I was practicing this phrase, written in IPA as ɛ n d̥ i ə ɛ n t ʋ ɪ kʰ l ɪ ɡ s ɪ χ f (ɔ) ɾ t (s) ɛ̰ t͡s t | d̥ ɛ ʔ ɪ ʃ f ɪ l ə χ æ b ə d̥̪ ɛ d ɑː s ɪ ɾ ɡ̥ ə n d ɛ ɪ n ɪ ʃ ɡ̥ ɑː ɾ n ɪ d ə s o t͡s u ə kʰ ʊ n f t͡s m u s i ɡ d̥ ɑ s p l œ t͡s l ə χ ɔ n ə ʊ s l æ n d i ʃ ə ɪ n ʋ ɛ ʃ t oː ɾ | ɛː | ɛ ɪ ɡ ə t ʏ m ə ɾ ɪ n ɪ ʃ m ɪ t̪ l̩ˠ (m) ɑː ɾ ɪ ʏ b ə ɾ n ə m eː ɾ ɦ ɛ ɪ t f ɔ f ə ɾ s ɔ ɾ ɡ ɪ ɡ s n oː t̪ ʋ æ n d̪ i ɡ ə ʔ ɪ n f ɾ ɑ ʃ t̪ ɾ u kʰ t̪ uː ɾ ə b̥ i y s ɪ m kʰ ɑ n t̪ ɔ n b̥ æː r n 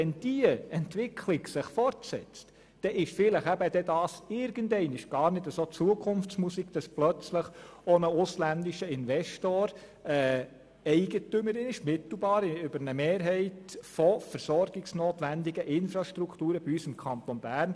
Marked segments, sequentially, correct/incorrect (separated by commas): correct, correct, incorrect